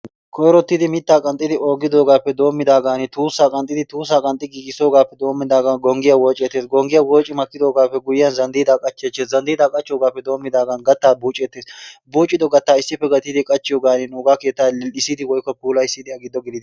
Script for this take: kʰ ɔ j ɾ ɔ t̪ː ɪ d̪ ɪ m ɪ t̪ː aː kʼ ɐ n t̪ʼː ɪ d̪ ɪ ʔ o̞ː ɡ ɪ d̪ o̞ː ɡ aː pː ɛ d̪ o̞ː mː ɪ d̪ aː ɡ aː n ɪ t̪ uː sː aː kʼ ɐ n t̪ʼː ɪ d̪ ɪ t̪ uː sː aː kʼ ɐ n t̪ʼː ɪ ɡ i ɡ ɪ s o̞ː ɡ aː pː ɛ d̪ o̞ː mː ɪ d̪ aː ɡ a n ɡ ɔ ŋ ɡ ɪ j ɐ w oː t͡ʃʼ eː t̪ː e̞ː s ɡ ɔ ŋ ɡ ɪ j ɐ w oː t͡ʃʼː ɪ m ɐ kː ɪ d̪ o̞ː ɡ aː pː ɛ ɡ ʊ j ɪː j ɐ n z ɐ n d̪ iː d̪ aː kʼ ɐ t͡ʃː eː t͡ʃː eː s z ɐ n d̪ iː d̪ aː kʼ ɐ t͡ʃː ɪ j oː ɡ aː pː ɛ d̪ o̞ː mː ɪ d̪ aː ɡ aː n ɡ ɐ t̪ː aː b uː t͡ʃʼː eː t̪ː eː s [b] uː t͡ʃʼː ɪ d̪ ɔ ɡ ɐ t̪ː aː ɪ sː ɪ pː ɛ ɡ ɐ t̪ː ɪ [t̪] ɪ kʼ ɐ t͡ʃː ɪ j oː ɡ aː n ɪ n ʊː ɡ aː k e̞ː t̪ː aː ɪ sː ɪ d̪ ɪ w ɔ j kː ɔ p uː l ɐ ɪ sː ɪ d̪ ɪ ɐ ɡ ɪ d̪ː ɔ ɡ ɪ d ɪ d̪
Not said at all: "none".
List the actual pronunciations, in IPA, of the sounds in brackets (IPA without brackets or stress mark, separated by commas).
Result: b, d̪